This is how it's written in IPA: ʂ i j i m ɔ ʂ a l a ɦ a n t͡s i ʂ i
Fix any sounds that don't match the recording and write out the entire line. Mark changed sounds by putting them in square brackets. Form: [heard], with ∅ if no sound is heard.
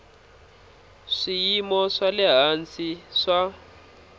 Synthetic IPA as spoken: ʂ i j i m ɔ ʂ a l [ɛ] ɦ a n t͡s i ʂ [a]